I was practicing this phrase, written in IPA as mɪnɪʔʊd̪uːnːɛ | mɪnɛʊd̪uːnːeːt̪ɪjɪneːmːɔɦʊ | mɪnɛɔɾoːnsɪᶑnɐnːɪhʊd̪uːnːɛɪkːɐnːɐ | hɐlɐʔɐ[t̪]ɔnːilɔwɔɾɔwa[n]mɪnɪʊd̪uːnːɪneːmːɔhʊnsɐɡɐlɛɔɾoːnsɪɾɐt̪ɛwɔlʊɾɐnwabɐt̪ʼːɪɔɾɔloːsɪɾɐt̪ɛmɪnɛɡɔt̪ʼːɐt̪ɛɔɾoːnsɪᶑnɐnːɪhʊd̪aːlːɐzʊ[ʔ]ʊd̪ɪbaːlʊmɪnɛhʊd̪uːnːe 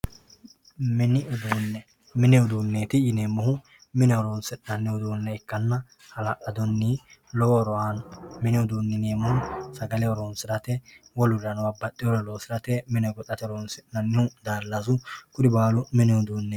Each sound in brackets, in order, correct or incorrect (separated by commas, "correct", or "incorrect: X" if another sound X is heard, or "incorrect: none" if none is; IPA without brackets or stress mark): incorrect: d̪, correct, incorrect: k